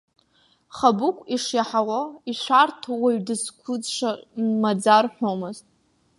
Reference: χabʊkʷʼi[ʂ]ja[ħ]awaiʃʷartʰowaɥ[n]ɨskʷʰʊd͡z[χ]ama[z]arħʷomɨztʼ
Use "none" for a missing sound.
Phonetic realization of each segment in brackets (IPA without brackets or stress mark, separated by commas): ʂ, ħ, d, ʂ, d͡z